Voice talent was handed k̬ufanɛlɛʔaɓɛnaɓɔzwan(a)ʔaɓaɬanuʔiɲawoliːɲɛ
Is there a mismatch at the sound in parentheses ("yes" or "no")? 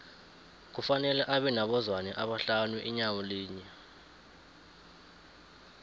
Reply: yes